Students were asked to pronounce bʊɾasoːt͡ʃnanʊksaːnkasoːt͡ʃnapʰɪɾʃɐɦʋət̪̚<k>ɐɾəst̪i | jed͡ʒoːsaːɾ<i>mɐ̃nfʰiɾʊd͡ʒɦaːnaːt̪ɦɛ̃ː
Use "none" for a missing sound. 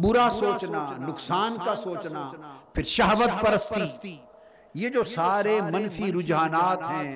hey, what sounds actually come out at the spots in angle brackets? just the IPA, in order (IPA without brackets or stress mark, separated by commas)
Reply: p, e